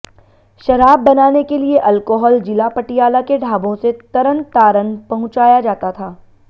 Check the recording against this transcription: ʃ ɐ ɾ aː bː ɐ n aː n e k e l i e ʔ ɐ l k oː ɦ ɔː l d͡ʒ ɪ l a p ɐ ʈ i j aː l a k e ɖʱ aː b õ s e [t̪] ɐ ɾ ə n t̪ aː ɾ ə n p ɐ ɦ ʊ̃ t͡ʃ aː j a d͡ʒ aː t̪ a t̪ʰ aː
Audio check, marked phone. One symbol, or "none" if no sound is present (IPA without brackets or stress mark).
t̪